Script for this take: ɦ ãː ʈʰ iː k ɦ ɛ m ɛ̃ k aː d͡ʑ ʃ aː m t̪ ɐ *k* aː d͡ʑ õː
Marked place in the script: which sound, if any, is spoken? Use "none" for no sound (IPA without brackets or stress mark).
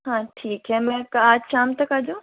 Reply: k